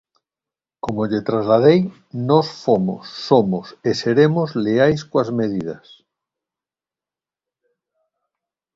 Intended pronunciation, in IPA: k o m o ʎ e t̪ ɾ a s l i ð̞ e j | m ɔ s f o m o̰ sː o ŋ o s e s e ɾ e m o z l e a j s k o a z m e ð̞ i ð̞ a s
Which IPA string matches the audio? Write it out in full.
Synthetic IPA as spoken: k o m o ʎ e t̪ ɾ a z l a ð̞ e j | n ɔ s f o m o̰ sː o m o s e s e ɾ e m o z l e a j s k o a z m e ð̞ i ð̞ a s